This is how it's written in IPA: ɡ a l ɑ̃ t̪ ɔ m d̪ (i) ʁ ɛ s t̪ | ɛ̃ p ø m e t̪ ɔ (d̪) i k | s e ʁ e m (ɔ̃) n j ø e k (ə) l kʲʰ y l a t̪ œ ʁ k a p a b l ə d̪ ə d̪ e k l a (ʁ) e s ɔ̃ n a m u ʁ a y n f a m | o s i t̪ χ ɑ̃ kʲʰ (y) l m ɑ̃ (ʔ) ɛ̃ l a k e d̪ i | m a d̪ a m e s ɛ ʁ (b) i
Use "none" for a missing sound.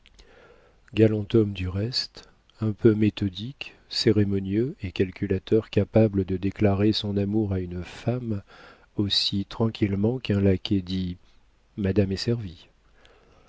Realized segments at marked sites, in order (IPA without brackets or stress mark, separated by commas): y, d̪, ɔ, a, ʁ, i, k, v